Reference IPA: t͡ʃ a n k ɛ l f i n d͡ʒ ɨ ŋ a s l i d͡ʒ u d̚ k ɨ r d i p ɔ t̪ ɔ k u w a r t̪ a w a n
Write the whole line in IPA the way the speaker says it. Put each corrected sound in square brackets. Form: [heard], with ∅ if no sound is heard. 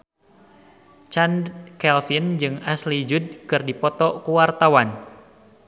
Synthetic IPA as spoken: t͡ʃ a n k ɛ l f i n d͡ʒ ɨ ŋ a s l i d͡ʒ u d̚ k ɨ r d i p ɔ t̪ ɔ k u w a r t̪ a w a n

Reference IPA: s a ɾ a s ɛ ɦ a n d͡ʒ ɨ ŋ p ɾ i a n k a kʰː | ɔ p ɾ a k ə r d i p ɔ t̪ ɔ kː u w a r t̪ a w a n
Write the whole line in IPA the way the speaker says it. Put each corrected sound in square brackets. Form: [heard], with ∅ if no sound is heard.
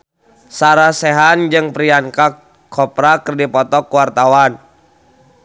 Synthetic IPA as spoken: s a ɾ a s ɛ ɦ a n d͡ʒ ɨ ŋ p ɾ i a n k a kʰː | ɔ p ɾ a k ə r d i p ɔ t̪ ɔ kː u w a r t̪ a w a n

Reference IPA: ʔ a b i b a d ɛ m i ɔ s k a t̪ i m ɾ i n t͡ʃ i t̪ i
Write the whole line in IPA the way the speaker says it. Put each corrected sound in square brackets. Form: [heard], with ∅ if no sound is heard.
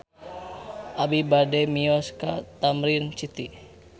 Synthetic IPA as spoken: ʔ a b i b a d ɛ m i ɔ s k a t̪ [a] m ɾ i n t͡ʃ i t̪ i

